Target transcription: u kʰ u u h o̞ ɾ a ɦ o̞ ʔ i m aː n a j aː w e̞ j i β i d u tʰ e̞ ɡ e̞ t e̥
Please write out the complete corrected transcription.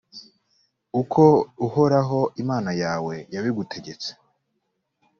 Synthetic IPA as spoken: u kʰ o u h o̞ ɾ a ɦ o̞ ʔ i m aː n a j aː w e̞ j a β i ɡ u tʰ e̞ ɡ e̞ t͡s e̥